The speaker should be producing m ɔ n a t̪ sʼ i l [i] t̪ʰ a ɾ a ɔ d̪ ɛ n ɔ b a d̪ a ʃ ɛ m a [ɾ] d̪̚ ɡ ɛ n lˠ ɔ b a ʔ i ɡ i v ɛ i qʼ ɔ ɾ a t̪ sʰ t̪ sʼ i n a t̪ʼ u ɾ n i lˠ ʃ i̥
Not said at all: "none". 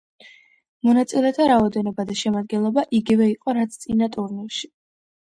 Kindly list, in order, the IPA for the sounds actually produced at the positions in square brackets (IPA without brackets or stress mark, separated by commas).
ɛ, none